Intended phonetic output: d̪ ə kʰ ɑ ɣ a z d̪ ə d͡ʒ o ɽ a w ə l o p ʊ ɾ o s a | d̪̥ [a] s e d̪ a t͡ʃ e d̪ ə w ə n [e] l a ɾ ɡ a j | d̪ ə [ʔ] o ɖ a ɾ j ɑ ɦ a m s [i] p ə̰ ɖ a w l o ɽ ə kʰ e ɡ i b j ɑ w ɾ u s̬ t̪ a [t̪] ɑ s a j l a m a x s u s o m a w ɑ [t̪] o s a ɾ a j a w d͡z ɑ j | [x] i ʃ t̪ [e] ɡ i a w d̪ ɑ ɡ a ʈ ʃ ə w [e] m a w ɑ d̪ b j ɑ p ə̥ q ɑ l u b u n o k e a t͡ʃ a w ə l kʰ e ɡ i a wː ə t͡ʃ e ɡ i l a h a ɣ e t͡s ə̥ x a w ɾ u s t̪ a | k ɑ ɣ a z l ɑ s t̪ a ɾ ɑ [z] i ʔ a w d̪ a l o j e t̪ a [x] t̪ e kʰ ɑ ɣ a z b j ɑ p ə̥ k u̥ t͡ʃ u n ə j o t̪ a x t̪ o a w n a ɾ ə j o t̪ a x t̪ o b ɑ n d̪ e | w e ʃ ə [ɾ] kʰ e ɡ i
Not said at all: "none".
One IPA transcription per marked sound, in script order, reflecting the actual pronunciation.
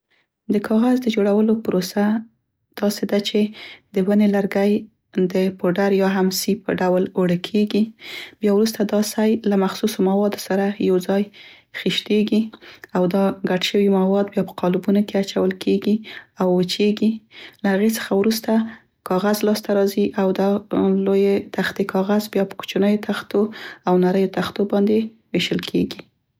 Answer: ɑ, e, p, i, d̪, d̪, x, e, i, z, x, l

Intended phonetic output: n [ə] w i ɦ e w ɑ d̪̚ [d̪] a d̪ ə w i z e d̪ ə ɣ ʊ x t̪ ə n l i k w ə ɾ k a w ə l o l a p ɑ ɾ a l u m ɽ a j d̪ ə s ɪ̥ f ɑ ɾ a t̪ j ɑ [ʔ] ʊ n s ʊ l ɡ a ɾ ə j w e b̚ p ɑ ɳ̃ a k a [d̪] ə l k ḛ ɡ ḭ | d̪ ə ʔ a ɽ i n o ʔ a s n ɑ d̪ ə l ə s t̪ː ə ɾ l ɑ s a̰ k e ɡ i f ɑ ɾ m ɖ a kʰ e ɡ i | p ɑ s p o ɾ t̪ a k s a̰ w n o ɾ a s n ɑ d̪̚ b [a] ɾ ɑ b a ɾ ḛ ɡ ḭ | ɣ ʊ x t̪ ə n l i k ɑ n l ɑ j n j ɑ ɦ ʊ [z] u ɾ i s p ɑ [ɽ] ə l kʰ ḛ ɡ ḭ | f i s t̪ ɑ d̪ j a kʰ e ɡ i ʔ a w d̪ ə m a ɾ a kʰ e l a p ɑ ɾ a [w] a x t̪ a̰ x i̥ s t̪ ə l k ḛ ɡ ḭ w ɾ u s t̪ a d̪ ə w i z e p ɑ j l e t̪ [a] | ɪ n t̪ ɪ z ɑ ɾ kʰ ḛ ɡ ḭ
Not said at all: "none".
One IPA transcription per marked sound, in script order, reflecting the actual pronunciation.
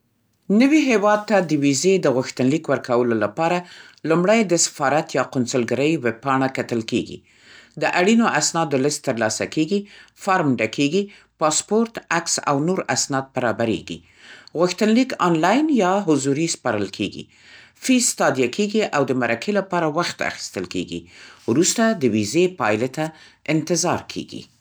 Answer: ə, t̪, q, t̪, a, z, ɾ, w, a

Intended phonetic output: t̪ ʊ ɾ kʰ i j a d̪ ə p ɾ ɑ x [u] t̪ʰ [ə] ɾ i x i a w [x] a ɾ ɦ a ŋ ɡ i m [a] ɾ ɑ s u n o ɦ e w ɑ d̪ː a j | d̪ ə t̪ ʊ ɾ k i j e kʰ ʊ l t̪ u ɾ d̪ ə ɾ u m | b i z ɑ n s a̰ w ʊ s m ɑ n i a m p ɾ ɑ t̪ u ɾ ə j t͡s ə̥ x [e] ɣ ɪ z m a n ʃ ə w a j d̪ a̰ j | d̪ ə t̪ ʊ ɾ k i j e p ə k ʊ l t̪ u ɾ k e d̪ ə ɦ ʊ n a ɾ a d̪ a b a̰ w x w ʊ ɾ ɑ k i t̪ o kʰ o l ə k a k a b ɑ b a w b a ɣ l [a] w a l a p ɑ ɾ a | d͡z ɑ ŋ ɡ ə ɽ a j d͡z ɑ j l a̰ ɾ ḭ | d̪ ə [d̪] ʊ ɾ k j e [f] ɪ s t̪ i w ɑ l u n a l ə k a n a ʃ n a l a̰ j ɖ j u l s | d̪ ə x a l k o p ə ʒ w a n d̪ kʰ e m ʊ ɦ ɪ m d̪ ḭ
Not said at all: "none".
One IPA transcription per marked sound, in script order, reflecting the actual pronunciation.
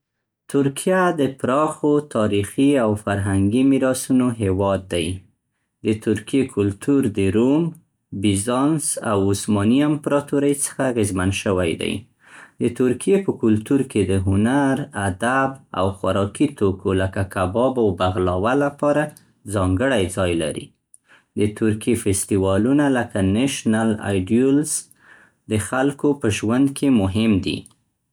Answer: o, ɑ, f, i, a, ɑ, t̪, f

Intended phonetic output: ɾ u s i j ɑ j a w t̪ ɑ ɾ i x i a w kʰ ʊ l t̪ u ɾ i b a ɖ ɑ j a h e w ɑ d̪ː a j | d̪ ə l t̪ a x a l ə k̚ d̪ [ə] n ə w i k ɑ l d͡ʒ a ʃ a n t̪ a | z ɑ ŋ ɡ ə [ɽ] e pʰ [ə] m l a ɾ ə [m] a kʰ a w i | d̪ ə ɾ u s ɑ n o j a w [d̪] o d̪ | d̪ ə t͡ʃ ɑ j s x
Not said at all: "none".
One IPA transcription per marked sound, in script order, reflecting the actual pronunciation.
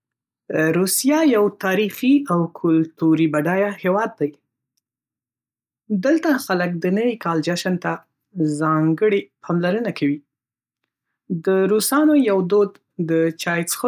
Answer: ə, ɽ, ɑ, n, d̪

